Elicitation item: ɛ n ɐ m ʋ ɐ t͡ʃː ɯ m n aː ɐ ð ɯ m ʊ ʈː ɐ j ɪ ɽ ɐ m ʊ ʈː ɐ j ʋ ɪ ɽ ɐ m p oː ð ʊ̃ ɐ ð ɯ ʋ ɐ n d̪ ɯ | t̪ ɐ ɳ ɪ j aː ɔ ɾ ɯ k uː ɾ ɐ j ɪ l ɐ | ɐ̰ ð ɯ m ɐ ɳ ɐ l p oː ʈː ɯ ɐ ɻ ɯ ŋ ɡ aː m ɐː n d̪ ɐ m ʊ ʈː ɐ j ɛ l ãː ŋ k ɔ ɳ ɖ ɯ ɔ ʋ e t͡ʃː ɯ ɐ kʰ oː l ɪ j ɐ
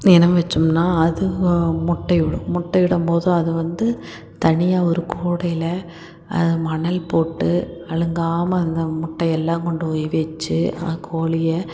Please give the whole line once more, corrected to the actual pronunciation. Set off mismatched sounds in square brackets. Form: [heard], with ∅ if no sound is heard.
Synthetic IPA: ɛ n ɐ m ʋ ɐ t͡ʃː ɯ m n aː ɐ ð ɯ m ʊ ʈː ɐ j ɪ ɽ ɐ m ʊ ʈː ɐ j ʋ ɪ ɽ ɐ m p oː ð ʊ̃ ɐ ð ɯ ʋ ɐ n d̪ ɯ | t̪ ɐ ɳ ɪ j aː ɔ ɾ ɯ k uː [ɽ] ɐ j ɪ l ɐ | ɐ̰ ð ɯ m ɐ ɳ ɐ l p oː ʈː ɯ ɐ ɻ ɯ ŋ ɡ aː m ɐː n d̪ ɐ m ʊ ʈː ɐ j ɛ [lː] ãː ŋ k ɔ ɳ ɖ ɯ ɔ ʋ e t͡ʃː ɯ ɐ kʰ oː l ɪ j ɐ

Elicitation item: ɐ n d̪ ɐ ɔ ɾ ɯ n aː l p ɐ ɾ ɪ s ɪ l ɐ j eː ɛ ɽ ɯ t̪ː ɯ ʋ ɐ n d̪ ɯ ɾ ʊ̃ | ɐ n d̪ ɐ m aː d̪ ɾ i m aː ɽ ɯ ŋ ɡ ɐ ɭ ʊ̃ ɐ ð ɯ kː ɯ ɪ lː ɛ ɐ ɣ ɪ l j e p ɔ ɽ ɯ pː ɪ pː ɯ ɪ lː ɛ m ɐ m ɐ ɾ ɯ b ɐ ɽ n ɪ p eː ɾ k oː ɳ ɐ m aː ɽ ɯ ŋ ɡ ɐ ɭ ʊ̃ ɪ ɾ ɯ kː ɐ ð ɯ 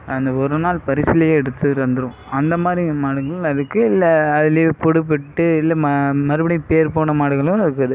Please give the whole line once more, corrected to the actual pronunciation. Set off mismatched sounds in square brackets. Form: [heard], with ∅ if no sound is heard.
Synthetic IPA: ɐ n d̪ ɐ ɔ ɾ ɯ n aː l p ɐ ɾ ɪ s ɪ l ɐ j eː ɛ ɽ ɯ t̪ː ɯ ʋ ɐ n d̪ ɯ ɾ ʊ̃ | ɐ n d̪ ɐ m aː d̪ ɾ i m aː ɽ ɯ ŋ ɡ ɐ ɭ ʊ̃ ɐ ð ɯ kː ɯ ɪ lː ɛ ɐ [ð] ɪ l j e p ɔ ɽ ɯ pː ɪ [ʈː] ɯ ɪ lː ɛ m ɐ m ɐ ɾ ɯ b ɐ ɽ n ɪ p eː ɾ [p] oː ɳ ɐ m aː ɽ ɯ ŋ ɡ ɐ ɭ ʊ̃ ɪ ɾ ɯ kː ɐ ð ɯ

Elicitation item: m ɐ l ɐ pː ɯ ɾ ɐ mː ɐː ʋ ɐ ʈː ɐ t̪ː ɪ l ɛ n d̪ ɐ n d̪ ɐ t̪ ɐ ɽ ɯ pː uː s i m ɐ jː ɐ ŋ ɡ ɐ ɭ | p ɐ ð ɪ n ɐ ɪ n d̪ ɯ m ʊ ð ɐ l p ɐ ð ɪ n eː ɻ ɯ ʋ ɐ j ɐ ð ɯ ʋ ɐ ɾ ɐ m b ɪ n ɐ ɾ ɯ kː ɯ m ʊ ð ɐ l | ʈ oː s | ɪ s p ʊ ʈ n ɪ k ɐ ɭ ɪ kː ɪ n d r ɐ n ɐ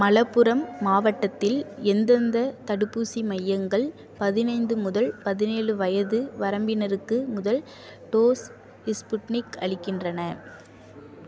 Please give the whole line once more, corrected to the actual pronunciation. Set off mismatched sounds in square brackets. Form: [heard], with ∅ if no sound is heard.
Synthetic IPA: m ɐ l ɐ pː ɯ ɾ ɐ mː [aː] ʋ ɐ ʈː ɐ t̪ː ɪ l ɛ n d̪ ɐ n d̪ ɐ t̪ ɐ ɽ ɯ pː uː s i m ɐ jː ɐ ŋ ɡ ɐ ɭ | p ɐ ð ɪ n ɐ ɪ n d̪ ɯ m ʊ ð ɐ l p ɐ ð ɪ n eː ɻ ɯ ʋ ɐ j ɐ ð ɯ ʋ ɐ ɾ ɐ m b ɪ n ɐ ɾ ɯ kː ɯ m ʊ ð ɐ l | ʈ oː s | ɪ s p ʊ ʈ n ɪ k ɐ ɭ ɪ kː ɪ n d r ɐ n ɐ

